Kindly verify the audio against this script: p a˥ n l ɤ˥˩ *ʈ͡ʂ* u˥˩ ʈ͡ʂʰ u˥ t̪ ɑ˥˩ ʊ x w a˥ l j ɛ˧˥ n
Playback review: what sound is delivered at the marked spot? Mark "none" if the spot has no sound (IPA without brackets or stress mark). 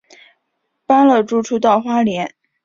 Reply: ʈ͡ʂ